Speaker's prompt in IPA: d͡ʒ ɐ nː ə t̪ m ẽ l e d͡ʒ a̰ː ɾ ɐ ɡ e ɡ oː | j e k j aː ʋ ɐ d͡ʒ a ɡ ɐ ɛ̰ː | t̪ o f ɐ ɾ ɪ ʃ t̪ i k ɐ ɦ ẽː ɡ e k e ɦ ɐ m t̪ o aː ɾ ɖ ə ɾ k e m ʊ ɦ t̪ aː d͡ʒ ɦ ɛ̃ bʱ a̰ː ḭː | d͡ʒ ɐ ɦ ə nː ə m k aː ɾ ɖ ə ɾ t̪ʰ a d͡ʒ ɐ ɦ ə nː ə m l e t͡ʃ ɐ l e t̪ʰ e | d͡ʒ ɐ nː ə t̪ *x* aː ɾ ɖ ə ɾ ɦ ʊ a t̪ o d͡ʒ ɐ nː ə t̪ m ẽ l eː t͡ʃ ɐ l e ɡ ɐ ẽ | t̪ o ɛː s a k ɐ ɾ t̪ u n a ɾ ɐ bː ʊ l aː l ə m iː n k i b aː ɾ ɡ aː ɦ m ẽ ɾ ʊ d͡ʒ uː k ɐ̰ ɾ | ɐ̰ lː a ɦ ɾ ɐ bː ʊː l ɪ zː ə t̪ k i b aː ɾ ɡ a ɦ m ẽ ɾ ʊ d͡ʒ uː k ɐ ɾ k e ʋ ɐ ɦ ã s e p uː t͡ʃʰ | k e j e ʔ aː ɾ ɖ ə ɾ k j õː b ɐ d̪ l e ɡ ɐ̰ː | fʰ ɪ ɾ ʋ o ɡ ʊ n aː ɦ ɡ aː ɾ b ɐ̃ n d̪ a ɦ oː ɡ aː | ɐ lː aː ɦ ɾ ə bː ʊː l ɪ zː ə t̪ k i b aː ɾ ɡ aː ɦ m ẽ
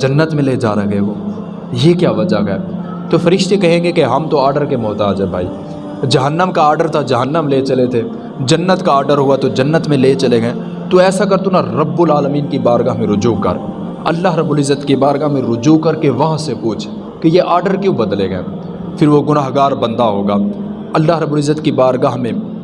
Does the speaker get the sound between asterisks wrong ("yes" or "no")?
yes